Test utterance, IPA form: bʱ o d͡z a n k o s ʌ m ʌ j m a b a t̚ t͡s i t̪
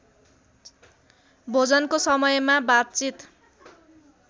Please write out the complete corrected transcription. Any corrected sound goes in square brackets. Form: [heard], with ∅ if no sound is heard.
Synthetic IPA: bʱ o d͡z [ʌ] n k o s ʌ m ʌ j m a b a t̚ t͡s i t̪